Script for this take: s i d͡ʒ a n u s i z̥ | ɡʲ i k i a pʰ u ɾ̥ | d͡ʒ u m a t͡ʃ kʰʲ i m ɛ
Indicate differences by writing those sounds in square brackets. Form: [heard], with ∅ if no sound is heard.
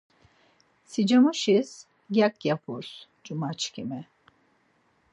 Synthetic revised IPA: s i d͡ʒ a [m] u [ʃ] i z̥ | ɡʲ [a] k [j] a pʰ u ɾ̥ | d͡ʒ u m a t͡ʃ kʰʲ i m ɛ